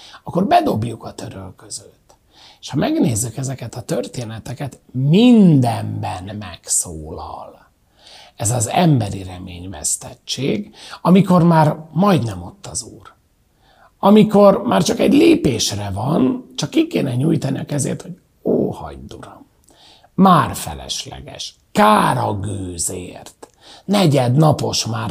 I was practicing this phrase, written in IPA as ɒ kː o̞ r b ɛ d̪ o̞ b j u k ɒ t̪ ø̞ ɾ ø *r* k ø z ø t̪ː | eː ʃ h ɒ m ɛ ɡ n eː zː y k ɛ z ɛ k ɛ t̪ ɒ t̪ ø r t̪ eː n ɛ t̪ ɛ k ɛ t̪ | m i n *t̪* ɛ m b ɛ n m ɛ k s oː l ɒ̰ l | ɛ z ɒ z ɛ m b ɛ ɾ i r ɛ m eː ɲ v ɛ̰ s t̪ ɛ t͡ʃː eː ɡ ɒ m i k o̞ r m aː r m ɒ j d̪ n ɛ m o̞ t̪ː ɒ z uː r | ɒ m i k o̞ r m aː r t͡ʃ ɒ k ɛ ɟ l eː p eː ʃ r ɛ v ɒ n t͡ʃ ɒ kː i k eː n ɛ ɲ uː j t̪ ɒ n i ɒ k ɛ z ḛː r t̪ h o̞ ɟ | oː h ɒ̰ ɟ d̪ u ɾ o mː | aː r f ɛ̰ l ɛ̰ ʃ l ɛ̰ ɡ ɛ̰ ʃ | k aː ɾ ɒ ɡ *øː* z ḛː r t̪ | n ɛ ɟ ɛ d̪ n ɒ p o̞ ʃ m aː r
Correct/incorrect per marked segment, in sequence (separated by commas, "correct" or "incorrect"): incorrect, incorrect, correct